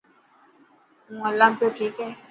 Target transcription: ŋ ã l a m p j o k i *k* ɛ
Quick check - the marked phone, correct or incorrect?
correct